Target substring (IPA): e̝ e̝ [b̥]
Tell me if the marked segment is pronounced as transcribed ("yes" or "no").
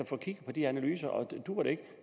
no